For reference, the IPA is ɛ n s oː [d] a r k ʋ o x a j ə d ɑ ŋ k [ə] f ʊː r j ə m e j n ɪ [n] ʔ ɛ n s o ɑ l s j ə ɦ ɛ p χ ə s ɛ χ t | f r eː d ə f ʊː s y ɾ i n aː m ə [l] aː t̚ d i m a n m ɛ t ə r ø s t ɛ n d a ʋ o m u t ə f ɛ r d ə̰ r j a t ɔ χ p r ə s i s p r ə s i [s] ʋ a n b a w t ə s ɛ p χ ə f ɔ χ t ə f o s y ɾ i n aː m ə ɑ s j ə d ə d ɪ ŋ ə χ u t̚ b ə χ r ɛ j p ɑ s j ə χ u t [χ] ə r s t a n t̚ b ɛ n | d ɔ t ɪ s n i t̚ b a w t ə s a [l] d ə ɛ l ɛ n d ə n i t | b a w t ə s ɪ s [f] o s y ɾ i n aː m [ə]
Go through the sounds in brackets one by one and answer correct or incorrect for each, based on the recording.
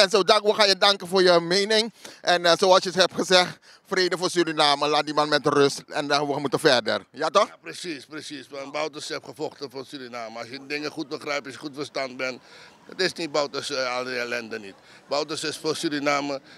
correct, correct, incorrect: ŋ, correct, correct, incorrect: f, correct, correct, correct

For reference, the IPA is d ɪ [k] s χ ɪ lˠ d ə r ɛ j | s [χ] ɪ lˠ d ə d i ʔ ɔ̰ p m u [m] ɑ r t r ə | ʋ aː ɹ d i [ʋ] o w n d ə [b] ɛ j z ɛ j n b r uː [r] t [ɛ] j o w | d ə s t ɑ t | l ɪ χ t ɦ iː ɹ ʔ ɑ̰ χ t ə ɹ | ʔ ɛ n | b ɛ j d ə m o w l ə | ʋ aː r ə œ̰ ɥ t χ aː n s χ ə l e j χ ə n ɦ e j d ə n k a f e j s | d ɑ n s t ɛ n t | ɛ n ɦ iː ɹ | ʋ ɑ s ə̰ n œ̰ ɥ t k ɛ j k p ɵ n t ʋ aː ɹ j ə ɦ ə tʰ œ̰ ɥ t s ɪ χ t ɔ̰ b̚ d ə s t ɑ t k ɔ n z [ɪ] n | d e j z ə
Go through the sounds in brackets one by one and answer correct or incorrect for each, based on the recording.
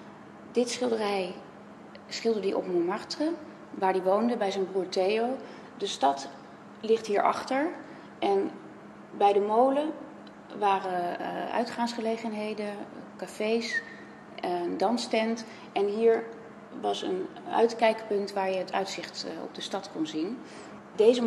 incorrect: t, correct, correct, correct, correct, incorrect: ɹ, incorrect: e, incorrect: i

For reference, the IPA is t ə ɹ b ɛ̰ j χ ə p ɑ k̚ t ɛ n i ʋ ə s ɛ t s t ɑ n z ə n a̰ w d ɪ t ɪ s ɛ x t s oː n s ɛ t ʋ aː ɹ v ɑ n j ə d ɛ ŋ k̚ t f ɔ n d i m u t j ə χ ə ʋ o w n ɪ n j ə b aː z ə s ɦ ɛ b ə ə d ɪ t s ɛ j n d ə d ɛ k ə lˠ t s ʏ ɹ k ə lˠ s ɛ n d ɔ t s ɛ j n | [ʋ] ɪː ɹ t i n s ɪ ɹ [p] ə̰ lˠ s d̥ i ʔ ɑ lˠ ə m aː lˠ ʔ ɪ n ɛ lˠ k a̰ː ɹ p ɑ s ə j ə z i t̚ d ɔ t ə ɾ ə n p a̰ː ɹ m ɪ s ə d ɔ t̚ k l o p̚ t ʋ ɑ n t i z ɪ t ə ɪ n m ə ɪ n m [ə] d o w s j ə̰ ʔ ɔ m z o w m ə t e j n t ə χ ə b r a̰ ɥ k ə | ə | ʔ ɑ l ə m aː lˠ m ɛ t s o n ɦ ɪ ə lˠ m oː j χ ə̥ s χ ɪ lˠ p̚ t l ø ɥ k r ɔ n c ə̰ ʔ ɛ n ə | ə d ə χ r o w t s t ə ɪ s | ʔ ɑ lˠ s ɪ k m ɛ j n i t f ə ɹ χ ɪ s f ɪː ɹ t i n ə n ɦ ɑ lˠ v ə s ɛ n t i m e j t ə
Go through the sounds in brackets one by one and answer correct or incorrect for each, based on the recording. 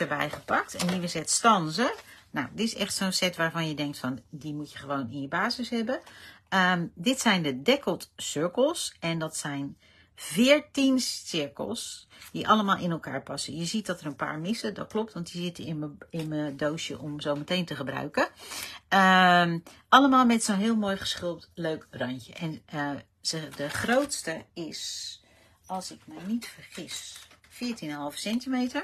incorrect: v, incorrect: k, correct

